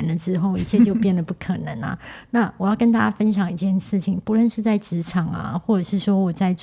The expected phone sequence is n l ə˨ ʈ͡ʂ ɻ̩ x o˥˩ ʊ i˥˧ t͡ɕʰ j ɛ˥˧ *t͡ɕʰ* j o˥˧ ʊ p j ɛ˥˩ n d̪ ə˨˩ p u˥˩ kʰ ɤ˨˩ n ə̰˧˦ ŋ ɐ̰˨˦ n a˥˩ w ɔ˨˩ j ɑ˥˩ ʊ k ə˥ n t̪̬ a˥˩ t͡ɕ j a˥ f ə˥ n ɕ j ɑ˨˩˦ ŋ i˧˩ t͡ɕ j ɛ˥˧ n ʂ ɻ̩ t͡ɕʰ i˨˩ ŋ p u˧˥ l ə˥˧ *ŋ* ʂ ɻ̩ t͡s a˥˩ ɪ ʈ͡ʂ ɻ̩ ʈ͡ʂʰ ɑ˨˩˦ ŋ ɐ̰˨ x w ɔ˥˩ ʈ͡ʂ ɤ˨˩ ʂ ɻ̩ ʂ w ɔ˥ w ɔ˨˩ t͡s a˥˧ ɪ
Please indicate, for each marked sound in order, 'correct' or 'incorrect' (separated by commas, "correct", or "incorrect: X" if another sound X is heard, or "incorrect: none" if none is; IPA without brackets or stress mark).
incorrect: t͡ɕ, incorrect: n